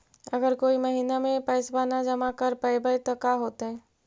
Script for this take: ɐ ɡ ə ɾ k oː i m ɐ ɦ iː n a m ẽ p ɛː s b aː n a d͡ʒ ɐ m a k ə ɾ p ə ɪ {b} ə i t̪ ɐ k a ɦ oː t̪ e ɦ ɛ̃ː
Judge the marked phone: correct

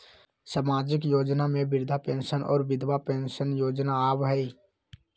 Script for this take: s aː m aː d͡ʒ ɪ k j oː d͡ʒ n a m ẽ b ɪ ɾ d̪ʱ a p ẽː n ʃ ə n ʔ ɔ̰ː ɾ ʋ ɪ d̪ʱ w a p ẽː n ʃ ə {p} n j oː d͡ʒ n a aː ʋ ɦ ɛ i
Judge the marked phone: incorrect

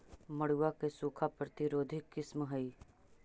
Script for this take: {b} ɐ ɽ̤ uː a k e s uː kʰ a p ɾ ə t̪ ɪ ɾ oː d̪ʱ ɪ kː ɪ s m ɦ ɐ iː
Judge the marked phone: incorrect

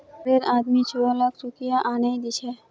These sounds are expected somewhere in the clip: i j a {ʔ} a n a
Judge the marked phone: correct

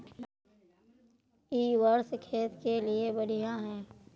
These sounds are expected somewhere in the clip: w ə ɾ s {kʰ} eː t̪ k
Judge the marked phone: correct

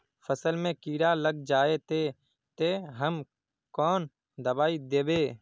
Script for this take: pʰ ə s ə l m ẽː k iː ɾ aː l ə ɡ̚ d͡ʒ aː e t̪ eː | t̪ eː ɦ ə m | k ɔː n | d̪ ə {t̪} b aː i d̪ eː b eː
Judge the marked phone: incorrect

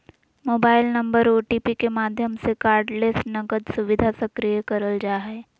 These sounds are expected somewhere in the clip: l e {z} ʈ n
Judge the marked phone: incorrect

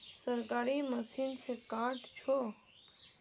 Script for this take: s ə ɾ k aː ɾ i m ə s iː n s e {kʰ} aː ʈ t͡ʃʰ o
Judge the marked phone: incorrect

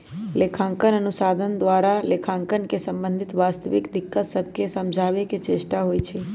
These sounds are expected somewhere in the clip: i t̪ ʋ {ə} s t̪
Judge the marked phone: incorrect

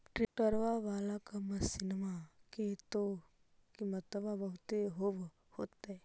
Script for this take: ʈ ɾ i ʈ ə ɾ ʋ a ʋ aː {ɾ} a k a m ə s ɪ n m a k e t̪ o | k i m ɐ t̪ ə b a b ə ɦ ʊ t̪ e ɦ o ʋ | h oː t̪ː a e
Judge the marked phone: incorrect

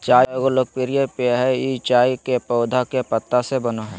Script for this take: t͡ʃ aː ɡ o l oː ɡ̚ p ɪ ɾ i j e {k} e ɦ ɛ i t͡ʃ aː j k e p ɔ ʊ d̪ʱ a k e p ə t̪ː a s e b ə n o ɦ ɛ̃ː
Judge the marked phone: incorrect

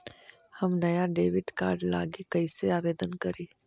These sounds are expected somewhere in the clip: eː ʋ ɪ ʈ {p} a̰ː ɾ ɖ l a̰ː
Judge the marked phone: incorrect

